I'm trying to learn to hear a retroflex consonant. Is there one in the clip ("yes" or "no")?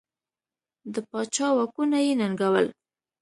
no